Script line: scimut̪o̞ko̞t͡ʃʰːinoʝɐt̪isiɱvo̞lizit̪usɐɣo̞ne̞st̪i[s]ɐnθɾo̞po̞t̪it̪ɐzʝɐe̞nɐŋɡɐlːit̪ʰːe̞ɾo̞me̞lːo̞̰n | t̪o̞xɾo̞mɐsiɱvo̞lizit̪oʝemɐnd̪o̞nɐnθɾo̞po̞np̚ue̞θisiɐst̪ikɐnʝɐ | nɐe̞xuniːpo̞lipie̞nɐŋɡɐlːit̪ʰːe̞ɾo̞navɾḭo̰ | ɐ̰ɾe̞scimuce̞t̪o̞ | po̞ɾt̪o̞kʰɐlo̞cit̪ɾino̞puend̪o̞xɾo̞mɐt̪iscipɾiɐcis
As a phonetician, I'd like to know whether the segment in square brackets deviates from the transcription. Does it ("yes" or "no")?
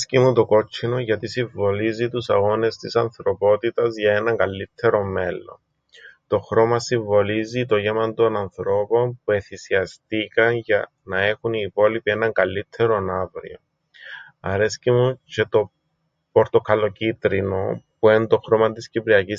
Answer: no